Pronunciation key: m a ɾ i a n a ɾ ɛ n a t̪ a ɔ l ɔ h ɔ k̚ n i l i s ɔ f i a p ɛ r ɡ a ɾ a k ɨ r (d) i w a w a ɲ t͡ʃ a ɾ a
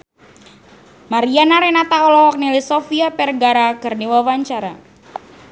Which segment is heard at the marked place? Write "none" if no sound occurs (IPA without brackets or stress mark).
n